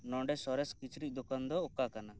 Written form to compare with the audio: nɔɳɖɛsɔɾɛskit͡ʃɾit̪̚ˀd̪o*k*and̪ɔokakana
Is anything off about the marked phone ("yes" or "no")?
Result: no